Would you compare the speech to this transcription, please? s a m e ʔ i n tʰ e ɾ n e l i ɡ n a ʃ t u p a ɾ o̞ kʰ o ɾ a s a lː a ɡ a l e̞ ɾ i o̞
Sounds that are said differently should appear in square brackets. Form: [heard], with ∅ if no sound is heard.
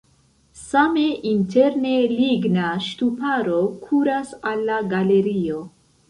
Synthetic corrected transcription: s a m e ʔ i n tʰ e ɾ n e l i ɡ n a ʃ t u p a ɾ o̞ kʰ [u] ɾ a s a lː a ɡ a l e̞ ɾ i o̞